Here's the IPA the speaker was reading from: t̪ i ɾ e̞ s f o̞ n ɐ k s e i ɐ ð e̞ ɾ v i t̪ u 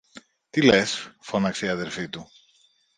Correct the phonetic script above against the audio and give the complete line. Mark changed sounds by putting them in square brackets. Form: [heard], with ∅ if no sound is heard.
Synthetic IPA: t̪ i [l] e̞ s f o̞ n ɐ k s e i ɐ ð e̞ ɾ [f] i t̪ u